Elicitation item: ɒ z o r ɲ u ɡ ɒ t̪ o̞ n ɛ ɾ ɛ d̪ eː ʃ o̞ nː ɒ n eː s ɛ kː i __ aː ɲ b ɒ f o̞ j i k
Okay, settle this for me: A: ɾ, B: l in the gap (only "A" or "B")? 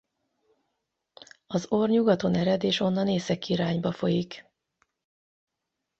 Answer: A